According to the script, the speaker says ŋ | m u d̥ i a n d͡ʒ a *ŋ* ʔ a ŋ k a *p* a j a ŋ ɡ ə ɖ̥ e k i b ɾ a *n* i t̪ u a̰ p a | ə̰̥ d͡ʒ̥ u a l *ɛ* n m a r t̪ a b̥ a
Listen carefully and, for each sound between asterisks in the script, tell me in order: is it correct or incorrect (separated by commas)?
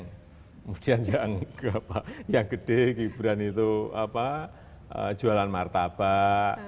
incorrect, correct, correct, incorrect